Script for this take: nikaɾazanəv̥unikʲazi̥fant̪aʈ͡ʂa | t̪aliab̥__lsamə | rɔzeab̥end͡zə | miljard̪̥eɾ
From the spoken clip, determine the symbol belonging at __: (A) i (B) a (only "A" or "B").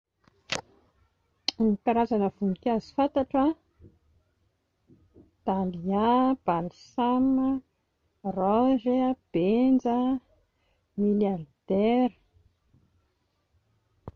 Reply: B